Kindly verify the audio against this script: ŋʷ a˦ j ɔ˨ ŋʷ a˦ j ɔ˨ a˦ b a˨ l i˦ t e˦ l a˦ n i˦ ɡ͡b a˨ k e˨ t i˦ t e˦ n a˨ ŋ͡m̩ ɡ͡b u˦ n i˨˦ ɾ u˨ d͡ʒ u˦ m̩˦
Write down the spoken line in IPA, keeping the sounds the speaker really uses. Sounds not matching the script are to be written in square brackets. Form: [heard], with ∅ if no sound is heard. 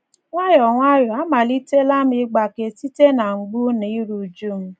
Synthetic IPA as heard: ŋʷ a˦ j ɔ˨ ŋʷ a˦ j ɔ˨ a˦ [m] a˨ l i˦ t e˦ l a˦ [m] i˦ ɡ͡b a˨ k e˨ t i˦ t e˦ n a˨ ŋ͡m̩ ɡ͡b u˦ n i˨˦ ɾ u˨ d͡ʒ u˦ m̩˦